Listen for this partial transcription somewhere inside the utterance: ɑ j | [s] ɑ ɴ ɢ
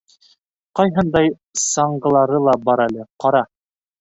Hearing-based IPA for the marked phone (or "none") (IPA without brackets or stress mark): s